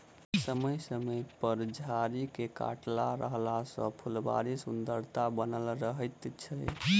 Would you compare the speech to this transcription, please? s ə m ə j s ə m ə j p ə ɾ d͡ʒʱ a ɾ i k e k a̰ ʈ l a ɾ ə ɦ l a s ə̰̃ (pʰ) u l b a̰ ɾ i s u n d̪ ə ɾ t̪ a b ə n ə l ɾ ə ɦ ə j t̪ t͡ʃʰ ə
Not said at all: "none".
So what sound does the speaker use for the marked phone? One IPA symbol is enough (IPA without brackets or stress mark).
pʰ